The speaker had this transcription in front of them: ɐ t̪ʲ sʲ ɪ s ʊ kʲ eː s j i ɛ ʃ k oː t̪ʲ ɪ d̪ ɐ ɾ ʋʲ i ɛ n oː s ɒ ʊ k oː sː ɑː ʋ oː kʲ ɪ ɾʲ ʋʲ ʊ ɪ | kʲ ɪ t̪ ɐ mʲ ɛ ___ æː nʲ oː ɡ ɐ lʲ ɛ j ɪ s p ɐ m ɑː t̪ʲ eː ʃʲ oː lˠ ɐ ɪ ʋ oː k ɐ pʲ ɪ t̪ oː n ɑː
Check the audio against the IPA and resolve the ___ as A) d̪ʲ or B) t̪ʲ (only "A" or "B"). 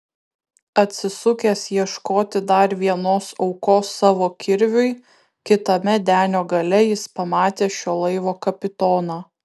A